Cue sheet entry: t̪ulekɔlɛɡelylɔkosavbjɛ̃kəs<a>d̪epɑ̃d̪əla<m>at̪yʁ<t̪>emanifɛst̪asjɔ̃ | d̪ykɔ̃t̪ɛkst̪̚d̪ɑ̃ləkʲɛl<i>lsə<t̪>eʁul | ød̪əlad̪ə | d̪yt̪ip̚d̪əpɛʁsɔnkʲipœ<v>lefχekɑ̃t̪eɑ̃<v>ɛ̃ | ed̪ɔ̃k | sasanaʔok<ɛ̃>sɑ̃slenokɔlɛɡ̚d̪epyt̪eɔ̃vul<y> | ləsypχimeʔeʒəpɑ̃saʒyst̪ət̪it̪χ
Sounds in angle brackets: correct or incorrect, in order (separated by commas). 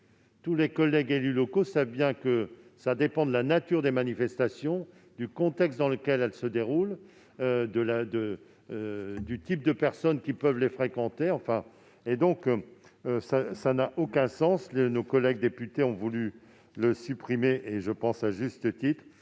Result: correct, incorrect, incorrect, incorrect, incorrect, correct, incorrect, correct, correct